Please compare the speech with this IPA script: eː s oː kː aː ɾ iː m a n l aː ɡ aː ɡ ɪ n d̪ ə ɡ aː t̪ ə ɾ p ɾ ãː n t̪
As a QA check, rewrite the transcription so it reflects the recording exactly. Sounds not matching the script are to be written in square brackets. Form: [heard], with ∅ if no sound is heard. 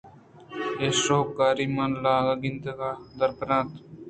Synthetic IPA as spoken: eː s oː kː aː ɾ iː m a n l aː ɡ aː ɡ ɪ n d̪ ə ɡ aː [d̪] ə ɾ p ɾ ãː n t̪